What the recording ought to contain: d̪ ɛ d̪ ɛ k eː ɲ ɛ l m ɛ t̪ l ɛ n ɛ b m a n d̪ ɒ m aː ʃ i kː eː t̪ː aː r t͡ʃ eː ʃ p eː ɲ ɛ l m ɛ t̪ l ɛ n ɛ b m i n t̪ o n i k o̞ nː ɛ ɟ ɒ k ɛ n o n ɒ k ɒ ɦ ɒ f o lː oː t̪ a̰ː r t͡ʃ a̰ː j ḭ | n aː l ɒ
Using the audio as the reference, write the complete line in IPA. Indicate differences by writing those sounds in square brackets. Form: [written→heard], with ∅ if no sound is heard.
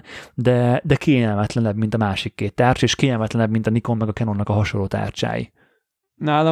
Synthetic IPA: d̪ ɛ d̪ ɛ k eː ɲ ɛ l m ɛ t̪ l ɛ n ɛ b m [a→i] n [d̪→t̪] ɒ m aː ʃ i kː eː t̪ː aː r t͡ʃ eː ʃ [p→k] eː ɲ ɛ l m ɛ t̪ l ɛ n ɛ b m i n t̪ [o→ɒ] n i k o̞ [nː→mː] ɛ [ɟ→ɡ] ɒ k ɛ n o n ɒ k ɒ ɦ ɒ [f→ʃ] o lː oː t̪ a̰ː r t͡ʃ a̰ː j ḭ | n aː l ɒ